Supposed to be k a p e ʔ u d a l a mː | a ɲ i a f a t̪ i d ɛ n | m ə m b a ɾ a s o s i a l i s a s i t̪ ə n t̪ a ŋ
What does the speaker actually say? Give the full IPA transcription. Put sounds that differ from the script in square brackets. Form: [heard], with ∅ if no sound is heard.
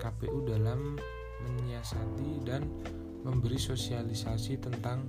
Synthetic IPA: k a p e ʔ u d a l a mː | [ə] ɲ i a [s] a t̪ i d [a] n | m ə m b [ə] ɾ [i] s o s i a l i s a s i t̪ ə n t̪ a ŋ